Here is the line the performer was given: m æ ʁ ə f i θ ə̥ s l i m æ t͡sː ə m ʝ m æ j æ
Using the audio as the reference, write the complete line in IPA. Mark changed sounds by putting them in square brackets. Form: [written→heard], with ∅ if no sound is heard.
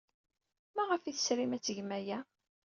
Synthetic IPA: m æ ʁ ə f i θ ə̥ s [l→ɾ] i m æ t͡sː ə [m→∅] ʝ m æ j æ